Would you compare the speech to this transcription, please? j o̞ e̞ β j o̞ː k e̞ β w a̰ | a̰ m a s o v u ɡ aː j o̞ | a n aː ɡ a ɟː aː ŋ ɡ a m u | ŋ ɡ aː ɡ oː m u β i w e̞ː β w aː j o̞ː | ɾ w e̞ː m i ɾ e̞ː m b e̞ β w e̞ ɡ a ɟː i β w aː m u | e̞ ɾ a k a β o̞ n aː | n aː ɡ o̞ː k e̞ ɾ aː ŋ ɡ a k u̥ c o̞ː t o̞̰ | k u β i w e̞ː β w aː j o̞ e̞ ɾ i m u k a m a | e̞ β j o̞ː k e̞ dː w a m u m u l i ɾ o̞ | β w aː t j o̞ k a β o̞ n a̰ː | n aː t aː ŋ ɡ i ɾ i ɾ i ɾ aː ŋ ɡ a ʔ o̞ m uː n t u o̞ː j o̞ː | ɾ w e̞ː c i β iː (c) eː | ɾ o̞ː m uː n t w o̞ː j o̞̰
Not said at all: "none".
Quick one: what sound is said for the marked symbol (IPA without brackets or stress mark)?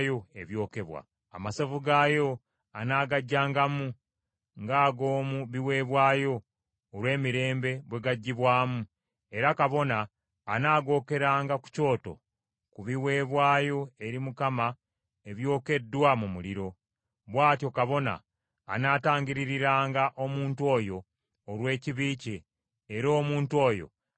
c